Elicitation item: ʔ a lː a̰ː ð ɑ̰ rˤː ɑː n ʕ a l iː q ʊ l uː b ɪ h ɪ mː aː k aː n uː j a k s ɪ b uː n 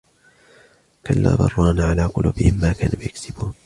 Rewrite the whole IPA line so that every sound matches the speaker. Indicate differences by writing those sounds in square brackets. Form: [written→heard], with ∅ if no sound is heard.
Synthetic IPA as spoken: [ʔ→k] a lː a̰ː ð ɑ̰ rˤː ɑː n ʕ a l [iː→aː] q ʊ l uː b ɪ h ɪ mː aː k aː n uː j a k s ɪ b uː n